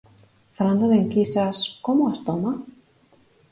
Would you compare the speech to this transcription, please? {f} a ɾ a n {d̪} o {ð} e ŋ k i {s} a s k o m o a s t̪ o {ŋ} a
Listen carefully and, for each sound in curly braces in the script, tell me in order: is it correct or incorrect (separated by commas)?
correct, correct, correct, correct, incorrect